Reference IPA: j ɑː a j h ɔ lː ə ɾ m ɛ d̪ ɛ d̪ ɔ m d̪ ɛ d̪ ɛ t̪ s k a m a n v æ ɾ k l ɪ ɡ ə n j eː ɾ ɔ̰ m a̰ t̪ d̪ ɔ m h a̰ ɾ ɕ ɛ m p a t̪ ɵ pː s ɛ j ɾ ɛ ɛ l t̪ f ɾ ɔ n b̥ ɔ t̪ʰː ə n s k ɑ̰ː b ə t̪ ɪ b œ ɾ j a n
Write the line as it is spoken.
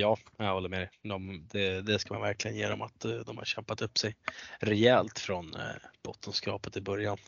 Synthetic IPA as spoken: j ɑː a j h ɔ lː ə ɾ m ɛ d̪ ɛ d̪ ɔ m d̪ ɛ d̪ ɛ s k a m a n v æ ɾ k l ɪ ɡ ə n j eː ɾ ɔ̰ m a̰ t̪ d̪ ɔ m h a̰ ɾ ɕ ɛ m p a t̪ ɵ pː s ɛ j ɾ ɛ ɛ l t̪ f ɾ ɔ n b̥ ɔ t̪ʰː ə n s k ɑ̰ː p ə t̪ ɪ b œ ɾ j a n